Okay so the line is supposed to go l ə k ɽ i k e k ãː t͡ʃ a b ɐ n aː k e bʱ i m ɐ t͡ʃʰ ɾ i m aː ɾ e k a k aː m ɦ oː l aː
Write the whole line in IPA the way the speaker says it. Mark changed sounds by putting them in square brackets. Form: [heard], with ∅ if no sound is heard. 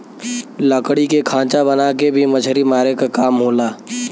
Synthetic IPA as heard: l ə k ɽ i k e [kʰ] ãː t͡ʃ a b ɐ n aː k e bʱ i m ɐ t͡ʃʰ ɾ i m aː ɾ e k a k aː m ɦ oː l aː

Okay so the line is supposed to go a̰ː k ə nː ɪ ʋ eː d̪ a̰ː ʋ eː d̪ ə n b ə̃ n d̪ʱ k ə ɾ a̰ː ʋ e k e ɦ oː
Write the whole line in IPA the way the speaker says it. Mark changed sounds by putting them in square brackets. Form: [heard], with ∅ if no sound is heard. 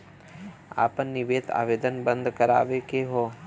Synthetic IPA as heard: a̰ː [p] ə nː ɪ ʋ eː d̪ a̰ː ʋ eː d̪ ə n b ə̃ n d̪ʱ k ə ɾ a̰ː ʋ e k e ɦ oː

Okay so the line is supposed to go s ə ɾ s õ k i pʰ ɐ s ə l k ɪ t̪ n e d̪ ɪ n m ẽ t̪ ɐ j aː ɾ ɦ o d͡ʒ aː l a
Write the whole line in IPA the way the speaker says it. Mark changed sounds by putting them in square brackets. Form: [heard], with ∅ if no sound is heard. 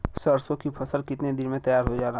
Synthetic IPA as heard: s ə ɾ s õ k i pʰ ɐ s ə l k ɪ t̪ n e d̪ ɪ n m ẽ t̪ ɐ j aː ɾ ɦ o d͡ʒ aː [ɾ] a

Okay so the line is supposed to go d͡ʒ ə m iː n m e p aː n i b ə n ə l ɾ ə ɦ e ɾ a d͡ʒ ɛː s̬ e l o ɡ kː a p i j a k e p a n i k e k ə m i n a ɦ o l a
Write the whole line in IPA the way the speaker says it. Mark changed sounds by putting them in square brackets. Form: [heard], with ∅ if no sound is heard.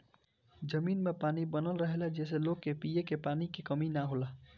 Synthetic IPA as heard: d͡ʒ ə m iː n m e p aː n i b ə n ə l ɾ ə ɦ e [l] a d͡ʒ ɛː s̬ e l o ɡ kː [e] p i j [e] k e p a n i k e k ə m i n a ɦ o l a

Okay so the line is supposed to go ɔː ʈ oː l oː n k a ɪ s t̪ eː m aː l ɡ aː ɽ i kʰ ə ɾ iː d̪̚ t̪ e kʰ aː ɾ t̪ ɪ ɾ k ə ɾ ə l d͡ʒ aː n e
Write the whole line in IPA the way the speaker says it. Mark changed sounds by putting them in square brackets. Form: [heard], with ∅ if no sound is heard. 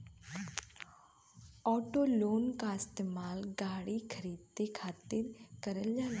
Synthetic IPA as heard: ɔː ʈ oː l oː n k a ɪ s t̪ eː m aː l ɡ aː ɽ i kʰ ə ɾ iː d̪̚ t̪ e kʰ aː [∅] t̪ ɪ ɾ k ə ɾ ə l d͡ʒ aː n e

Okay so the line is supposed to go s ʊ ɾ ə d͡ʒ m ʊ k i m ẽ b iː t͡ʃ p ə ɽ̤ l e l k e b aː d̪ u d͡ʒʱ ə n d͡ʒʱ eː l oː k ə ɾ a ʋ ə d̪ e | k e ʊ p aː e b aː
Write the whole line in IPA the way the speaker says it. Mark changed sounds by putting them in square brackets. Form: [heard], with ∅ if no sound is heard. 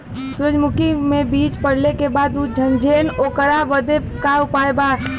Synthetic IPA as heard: s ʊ ɾ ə d͡ʒ m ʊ k i m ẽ b iː t͡ʃ p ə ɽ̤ l e [∅] k e b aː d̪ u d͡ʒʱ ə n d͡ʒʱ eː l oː k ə ɾ a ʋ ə d̪ e | k [a] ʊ p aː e b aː

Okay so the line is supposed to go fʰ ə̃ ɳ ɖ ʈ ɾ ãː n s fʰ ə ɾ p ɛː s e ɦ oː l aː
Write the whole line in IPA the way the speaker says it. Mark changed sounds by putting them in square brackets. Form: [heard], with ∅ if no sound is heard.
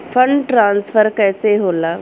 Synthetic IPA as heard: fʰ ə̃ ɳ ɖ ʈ ɾ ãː n s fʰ ə ɾ [k] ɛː s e ɦ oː l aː

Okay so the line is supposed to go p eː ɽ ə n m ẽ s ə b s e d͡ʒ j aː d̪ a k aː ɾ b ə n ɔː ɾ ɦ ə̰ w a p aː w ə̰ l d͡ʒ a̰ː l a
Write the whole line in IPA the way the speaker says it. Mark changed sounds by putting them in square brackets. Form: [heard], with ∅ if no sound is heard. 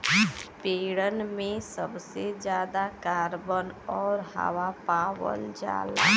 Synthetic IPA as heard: p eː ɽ ə n m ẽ s ə b s e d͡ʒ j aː d̪ a k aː ɾ b ə n ɔː ɾ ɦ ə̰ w a p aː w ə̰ l d͡ʒ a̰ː l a

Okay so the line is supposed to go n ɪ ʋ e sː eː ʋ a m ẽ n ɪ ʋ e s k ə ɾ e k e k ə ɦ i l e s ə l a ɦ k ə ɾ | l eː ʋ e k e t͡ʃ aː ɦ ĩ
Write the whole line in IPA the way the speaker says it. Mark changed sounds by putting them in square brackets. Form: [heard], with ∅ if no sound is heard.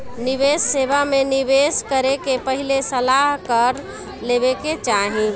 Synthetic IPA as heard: n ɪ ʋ e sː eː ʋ a m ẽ n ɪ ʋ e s k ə ɾ e k e [p] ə ɦ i l e s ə l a ɦ k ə ɾ | l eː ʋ e k e t͡ʃ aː ɦ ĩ

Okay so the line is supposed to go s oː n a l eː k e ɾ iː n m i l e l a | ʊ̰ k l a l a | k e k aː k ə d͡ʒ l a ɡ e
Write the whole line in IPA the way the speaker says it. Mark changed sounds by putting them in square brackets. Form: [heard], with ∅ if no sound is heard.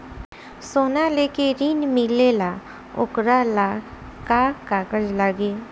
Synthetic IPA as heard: s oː n a l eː k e ɾ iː n m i l e l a | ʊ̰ k [ɾ] a l a | k [a] k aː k ə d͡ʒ l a ɡ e

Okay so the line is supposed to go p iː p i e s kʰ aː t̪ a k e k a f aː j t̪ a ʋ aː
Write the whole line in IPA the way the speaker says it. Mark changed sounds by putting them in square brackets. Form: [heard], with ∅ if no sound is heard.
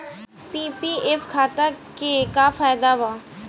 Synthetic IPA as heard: p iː p i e [f] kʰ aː t̪ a k e k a f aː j [d̪] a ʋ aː

